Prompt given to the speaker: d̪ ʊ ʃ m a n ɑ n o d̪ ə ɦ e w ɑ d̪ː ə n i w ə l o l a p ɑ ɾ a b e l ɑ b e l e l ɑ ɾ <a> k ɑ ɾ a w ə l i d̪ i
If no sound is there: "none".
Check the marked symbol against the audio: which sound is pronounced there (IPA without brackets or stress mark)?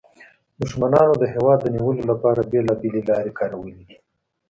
e